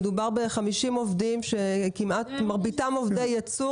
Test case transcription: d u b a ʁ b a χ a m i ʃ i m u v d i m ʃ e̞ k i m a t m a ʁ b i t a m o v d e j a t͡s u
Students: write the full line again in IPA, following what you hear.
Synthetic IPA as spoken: d u b a ʁ b e χ a m i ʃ i m o v d i m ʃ e̞ k i m a t m a ʁ b i t a m o v d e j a t͡s u